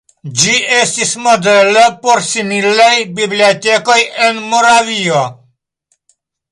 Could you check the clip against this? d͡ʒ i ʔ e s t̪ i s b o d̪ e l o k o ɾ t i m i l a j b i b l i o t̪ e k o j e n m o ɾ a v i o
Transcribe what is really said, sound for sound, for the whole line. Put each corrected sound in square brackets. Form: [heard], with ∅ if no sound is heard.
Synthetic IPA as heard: d͡ʒ i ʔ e s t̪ i s [m] o d̪ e l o [p] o ɾ [s] i m i l a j b i b l i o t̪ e k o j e n m o ɾ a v i o